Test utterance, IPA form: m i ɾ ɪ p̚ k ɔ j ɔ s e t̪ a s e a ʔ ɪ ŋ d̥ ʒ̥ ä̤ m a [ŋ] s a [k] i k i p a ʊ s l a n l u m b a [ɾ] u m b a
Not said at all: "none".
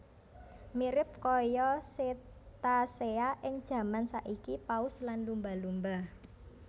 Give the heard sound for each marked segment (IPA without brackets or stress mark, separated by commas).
n, ʔ, l